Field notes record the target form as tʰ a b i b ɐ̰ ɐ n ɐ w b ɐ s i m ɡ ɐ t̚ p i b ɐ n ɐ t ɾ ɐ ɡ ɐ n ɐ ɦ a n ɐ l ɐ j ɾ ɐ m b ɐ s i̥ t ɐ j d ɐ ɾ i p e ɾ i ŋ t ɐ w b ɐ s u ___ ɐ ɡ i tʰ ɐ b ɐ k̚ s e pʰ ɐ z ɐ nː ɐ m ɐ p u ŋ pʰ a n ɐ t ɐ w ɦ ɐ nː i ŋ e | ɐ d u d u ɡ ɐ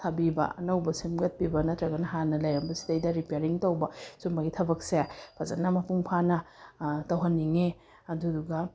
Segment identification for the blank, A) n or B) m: B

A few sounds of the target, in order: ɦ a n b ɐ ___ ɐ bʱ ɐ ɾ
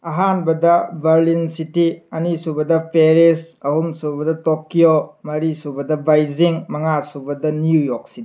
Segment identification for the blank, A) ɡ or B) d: B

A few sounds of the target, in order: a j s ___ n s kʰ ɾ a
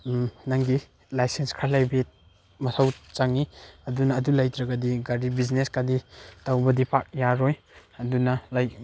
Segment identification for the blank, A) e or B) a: A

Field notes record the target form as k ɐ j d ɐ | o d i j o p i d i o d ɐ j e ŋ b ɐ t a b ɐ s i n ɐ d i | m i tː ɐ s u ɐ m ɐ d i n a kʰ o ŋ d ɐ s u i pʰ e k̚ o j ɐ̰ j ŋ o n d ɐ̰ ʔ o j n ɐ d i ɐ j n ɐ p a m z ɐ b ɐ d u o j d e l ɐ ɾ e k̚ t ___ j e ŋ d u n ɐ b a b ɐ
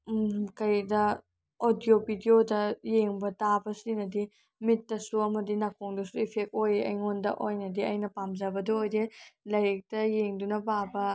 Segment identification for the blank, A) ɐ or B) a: A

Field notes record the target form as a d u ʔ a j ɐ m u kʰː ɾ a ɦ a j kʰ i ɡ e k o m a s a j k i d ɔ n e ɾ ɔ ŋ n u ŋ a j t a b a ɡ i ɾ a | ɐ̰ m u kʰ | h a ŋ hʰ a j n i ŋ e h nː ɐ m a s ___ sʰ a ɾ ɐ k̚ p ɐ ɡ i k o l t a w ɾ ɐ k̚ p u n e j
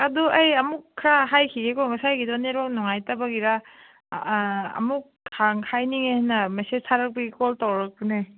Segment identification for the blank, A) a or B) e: B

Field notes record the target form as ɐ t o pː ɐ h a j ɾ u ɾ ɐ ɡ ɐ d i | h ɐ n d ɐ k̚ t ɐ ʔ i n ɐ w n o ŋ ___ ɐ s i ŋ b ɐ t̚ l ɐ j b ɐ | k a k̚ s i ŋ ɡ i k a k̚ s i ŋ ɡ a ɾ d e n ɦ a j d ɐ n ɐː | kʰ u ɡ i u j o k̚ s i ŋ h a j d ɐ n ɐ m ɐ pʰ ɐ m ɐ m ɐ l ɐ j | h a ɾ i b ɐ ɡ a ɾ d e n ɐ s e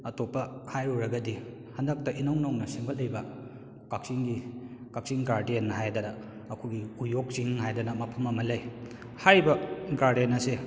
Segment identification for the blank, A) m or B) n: B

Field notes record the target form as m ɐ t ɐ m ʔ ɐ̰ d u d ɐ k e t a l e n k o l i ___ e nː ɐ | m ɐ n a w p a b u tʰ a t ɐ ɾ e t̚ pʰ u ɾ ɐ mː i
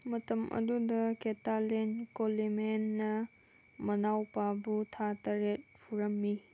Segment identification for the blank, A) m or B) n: A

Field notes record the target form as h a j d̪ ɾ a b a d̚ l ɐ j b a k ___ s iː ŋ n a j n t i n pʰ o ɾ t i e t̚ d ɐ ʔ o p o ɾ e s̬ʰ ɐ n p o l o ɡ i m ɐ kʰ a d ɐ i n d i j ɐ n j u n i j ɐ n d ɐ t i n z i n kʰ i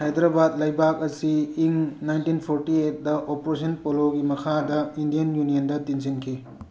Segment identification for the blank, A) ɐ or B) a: A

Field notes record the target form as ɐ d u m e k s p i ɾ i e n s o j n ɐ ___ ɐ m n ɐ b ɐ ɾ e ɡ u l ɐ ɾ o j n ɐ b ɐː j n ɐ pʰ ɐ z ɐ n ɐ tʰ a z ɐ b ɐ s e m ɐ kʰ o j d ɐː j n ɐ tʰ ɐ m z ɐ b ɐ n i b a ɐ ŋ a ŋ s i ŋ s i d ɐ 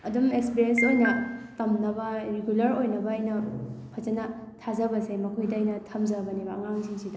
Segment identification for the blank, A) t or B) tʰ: A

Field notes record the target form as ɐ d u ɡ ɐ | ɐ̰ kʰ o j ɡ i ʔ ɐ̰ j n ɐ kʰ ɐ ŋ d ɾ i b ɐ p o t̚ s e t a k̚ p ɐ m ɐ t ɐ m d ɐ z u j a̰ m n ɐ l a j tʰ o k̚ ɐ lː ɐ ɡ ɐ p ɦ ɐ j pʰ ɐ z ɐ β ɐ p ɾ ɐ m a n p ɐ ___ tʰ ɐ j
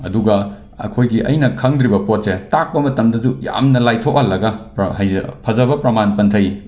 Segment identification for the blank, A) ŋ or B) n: B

